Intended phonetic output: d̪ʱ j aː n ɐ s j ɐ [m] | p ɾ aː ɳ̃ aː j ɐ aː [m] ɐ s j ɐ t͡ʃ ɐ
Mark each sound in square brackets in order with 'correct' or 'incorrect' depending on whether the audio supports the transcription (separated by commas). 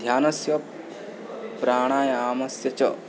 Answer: incorrect, correct